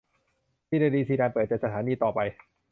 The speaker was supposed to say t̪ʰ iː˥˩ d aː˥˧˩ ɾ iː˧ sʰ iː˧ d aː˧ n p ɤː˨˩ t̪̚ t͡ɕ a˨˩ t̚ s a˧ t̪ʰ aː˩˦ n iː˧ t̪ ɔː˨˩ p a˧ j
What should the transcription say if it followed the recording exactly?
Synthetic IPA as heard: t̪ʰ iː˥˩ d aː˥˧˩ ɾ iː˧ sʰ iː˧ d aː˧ n p ɤː˨˩ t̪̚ t͡ɕ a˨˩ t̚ s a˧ t̪ʰ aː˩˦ n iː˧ t̪ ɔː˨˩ p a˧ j